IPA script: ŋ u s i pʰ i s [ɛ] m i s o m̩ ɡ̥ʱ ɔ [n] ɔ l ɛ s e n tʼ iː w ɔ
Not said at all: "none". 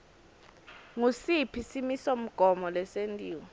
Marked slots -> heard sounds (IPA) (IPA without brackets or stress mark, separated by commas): i, m